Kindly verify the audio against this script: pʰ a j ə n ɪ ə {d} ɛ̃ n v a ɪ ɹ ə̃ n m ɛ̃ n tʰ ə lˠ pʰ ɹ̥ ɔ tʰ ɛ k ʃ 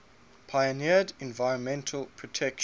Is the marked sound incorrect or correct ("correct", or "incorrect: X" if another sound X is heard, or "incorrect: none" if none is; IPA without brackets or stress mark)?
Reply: correct